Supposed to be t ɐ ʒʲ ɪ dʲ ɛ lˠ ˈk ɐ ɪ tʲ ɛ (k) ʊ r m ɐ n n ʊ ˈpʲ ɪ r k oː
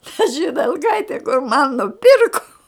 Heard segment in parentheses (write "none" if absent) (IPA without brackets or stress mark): k